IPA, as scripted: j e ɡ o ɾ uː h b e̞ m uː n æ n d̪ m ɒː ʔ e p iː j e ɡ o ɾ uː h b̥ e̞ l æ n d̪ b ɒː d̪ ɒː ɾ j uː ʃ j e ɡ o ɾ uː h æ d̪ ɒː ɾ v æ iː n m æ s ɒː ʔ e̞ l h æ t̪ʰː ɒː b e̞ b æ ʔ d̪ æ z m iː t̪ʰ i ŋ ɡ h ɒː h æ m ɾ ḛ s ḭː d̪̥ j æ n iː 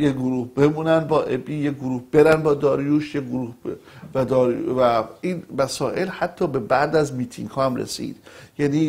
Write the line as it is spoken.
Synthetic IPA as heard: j e ɡ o ɾ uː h b e̞ m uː n æ n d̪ b ɒː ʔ e b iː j e ɡ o ɾ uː h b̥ e̞ ɾ æ n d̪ b ɒː d̪ ɒː ɾ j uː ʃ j e ɡ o ɾ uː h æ d̪ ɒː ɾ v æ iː n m æ s ɒː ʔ e̞ l h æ t̪ʰː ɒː b e̞ b æ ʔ d̪ æ z m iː t̪ʰ i ŋ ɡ h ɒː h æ m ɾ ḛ s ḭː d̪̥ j æ n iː